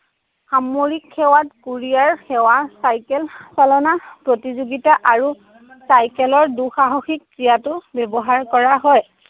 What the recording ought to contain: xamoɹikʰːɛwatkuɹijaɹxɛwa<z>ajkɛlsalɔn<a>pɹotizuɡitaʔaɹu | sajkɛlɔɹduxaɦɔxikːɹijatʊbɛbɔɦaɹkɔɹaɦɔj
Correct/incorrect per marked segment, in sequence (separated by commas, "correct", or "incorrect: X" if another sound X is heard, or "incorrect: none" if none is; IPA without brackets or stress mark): incorrect: s, correct